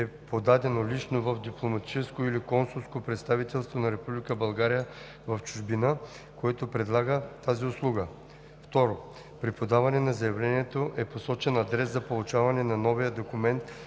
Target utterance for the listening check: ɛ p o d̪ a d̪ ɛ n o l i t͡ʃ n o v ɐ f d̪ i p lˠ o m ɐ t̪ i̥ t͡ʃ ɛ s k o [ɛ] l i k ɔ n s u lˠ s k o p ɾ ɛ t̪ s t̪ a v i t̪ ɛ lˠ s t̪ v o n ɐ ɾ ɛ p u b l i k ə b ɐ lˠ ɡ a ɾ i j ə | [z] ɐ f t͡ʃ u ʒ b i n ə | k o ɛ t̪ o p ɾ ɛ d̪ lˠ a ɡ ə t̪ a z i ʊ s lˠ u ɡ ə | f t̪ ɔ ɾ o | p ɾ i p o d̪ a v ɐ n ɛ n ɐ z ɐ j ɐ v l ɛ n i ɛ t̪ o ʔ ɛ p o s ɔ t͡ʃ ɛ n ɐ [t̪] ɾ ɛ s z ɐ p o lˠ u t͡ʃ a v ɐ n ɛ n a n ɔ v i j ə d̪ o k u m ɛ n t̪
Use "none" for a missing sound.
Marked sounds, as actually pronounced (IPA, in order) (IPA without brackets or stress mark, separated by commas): i, v, d̪